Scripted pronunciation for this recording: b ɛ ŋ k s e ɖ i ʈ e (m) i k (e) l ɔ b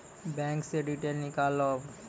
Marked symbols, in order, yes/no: no, no

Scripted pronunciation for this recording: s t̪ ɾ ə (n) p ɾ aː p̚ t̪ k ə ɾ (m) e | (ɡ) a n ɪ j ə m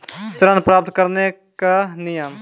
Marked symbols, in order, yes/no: yes, no, no

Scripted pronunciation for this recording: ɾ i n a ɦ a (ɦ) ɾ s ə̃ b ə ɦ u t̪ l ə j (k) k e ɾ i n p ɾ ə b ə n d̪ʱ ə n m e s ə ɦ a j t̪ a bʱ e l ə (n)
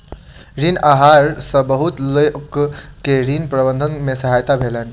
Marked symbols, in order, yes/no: no, yes, yes

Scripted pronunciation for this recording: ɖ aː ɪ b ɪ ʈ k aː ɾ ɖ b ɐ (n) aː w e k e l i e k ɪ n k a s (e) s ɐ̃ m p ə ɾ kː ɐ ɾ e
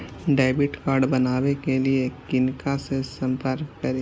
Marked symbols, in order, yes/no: yes, yes

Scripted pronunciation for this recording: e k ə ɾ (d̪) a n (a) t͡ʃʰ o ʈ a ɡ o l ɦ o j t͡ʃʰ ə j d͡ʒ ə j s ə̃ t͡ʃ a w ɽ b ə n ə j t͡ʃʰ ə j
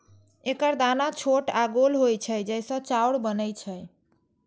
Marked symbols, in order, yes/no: yes, yes

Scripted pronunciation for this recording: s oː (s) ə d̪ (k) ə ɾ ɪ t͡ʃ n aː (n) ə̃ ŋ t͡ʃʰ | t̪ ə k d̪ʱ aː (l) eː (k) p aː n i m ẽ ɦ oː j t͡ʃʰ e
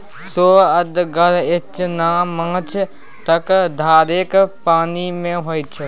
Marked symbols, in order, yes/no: no, no, no, no, yes

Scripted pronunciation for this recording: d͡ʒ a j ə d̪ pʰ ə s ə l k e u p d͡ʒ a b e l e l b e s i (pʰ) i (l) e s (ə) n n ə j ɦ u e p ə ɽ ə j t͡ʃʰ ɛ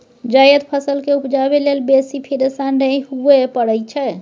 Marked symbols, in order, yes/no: yes, no, no

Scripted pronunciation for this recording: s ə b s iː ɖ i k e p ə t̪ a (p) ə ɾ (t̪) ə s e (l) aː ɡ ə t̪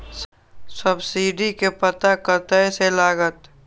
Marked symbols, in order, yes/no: no, yes, yes

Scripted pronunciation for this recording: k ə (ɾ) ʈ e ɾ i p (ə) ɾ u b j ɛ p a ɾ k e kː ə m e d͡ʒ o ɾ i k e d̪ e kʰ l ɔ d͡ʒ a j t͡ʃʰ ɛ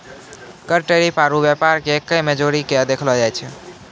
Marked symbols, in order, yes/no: yes, no

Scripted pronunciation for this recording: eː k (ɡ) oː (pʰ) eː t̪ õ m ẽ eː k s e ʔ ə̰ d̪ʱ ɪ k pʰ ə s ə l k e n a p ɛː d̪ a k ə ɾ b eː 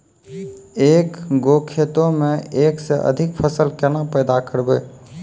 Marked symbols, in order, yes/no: yes, no

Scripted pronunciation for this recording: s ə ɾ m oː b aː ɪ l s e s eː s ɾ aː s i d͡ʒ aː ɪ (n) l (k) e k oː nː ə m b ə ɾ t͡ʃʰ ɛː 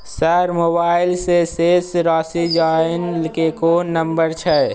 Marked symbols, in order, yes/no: yes, yes

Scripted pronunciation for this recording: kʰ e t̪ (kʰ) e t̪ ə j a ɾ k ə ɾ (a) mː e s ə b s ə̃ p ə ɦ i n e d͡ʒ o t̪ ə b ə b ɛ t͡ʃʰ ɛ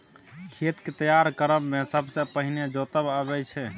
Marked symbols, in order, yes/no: no, no

